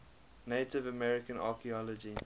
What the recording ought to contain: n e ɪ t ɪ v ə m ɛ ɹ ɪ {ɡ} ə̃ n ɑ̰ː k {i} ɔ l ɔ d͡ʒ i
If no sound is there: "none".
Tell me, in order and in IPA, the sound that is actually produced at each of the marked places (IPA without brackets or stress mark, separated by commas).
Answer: k, i